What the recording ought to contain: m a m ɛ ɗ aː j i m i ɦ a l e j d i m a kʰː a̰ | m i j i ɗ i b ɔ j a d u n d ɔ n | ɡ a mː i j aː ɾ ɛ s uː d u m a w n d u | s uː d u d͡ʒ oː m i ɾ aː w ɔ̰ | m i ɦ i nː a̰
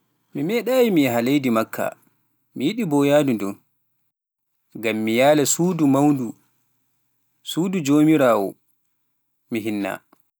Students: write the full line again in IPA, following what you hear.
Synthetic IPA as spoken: m i m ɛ ɗ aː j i m i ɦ a l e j d i m a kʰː a̰ | m i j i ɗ i b ɔ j a d u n d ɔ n | ɡ a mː i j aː l ɛ s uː d u m a w n d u | s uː d u d͡ʒ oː m i ɾ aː w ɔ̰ | m i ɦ i nː a̰